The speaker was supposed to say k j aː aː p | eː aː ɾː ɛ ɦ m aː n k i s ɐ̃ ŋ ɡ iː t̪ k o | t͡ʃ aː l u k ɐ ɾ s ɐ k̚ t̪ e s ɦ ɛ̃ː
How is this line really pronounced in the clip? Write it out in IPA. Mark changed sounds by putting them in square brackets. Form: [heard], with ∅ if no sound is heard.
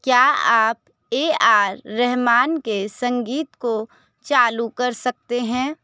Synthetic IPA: k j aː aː p | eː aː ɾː ɛ ɦ m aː n k [e] s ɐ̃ ŋ ɡ iː t̪ k o | t͡ʃ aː l u k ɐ ɾ s ɐ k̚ t̪ e [∅] ɦ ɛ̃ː